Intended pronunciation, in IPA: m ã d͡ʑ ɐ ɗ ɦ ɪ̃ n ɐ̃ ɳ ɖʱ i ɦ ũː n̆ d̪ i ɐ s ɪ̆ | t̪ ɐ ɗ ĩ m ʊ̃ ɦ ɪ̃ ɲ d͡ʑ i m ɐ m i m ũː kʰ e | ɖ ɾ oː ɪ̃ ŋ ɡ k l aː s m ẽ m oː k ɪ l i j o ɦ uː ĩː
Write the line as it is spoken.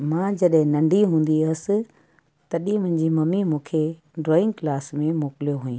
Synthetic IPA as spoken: m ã d͡ʑ ɐ ɗ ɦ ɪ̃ n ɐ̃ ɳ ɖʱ i ɦ ũː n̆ d̪ i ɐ s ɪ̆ | t̪ ɐ ɗ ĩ m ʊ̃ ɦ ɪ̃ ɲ d͡ʑ i m ɐ m i m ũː kʰ e | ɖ ɾ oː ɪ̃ ŋ ɡ k l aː s m ẽ m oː k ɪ l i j o ɦ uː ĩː